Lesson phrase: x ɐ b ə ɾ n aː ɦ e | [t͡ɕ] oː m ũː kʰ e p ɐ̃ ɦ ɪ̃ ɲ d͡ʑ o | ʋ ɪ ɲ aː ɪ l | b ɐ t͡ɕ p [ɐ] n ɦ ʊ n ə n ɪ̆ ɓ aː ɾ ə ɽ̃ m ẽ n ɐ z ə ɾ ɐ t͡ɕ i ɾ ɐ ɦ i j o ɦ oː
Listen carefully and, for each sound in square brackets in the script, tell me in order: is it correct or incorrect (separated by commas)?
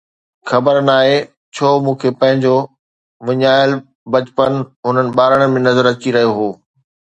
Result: incorrect, incorrect